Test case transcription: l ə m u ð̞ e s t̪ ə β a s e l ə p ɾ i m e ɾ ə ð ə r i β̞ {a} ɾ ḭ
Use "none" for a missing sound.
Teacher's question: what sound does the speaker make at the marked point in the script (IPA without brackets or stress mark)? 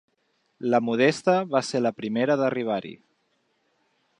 a